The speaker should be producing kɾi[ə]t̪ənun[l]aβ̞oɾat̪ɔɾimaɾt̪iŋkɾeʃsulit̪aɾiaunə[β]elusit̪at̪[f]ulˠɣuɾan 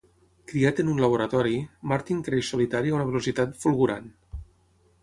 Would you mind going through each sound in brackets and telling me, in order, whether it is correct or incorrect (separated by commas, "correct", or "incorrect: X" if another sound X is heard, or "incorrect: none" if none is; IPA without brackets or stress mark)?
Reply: incorrect: a, correct, correct, correct